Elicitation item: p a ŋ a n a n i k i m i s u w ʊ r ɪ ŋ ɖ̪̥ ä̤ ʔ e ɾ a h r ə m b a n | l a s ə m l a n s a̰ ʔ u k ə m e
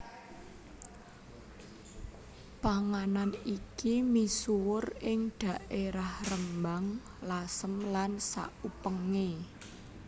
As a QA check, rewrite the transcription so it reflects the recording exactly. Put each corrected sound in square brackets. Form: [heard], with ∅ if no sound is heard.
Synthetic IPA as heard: p a ŋ a n a n i k i m i s u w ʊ r ɪ ŋ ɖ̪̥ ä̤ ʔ e ɾ a h r ə m b a [ŋ] | l a s ə m l a n s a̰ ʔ u [p] ə [ŋ] e